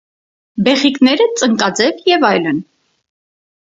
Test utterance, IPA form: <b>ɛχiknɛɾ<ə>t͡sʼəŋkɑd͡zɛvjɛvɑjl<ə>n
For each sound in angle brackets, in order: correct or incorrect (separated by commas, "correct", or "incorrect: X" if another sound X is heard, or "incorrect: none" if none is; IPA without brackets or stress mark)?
correct, correct, correct